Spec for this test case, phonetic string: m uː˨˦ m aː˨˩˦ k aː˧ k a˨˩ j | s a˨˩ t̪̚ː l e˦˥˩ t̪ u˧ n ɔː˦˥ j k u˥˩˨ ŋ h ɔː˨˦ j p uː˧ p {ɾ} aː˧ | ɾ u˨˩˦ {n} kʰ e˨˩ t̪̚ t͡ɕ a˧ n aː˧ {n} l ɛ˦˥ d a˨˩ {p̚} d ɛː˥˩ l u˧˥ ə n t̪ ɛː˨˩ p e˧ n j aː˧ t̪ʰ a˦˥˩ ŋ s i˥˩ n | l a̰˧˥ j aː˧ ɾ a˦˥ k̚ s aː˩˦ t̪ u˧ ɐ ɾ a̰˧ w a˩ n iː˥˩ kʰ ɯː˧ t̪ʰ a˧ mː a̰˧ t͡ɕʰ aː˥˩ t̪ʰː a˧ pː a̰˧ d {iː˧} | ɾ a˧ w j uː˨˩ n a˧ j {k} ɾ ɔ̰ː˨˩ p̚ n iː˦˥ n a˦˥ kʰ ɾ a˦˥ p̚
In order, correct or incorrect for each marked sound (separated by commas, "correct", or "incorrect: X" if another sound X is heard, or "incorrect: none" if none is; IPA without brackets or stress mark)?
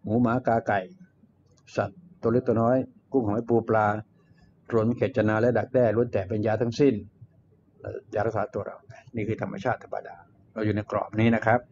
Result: incorrect: l, correct, incorrect: none, incorrect: k̚, incorrect: aː˧, correct